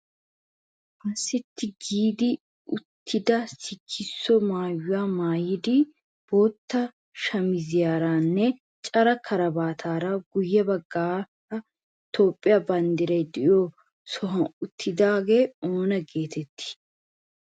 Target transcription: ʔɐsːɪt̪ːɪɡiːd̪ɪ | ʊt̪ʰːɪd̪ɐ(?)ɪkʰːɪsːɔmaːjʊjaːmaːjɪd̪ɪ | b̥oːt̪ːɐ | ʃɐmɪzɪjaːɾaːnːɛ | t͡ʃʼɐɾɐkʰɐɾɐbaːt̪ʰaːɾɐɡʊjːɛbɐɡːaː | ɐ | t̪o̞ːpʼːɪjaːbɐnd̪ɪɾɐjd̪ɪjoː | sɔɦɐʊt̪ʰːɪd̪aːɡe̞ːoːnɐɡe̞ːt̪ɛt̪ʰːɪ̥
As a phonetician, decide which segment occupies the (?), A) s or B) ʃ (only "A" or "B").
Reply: A